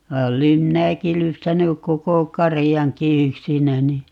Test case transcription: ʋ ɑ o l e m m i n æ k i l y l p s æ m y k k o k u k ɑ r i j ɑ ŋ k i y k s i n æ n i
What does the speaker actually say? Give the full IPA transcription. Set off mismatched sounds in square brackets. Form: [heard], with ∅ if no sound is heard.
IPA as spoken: ʋ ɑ o l e m m i n æ k i l y [∅] p s æ [n] y k k o k [o] k ɑ r i j ɑ ŋ k i y k s i n æ n i